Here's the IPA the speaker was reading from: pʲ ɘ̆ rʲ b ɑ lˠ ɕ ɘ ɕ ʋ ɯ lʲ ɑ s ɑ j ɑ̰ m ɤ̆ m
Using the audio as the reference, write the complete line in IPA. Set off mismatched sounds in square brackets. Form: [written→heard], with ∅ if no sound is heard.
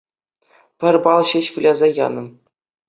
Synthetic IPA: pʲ ɘ̆ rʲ b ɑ lˠ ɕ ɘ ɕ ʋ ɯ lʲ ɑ [s→z] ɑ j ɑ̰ [m→n] ɤ̆ m